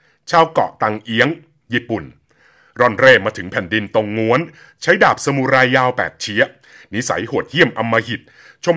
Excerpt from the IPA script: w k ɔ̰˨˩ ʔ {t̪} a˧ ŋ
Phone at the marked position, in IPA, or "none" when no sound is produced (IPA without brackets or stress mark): t̪